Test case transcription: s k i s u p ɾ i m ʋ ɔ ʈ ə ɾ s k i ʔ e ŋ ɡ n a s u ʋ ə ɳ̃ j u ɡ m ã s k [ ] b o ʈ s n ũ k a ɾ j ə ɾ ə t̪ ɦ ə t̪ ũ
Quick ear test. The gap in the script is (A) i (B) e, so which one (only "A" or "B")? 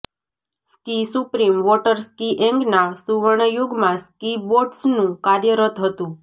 A